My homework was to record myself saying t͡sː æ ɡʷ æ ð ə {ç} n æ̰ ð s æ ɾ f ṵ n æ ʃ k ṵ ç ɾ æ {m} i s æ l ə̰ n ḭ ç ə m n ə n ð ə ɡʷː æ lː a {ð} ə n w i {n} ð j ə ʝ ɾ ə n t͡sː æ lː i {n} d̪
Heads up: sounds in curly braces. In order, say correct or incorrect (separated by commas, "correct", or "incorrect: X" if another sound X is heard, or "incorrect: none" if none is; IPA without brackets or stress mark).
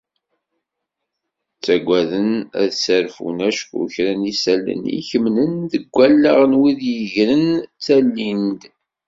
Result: incorrect: none, incorrect: n, incorrect: ʁ, incorrect: none, correct